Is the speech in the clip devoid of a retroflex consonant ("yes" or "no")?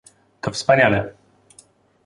yes